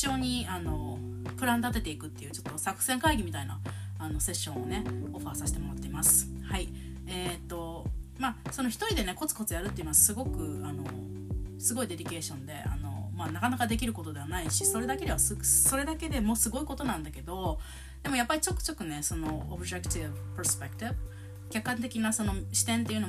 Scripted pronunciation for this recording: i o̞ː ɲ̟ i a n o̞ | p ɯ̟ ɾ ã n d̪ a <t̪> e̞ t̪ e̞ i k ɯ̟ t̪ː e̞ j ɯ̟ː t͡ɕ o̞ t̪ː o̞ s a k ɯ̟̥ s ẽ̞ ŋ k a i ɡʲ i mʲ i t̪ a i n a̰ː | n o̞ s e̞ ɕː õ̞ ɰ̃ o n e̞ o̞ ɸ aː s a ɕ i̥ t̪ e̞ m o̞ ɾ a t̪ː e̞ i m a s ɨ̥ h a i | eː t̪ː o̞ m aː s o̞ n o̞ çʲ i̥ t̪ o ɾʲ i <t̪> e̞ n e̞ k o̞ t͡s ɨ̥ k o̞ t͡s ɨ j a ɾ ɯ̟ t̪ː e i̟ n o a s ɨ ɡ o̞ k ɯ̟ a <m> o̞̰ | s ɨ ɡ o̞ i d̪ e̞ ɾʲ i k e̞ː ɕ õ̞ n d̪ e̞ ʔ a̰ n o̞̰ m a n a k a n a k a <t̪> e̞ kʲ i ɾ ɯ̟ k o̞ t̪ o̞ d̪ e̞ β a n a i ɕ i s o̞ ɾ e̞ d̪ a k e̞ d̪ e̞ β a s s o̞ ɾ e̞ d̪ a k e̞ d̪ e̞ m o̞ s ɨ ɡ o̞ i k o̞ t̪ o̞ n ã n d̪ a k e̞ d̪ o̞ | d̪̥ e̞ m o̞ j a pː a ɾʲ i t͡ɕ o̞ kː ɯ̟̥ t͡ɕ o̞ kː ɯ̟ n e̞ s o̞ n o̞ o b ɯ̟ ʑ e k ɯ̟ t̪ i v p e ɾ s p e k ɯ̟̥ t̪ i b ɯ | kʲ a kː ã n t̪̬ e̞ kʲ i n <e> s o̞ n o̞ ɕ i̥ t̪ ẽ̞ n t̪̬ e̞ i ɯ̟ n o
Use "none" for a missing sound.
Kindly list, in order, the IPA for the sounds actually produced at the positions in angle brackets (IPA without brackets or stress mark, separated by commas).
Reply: t̪, d̪, n, d̪, a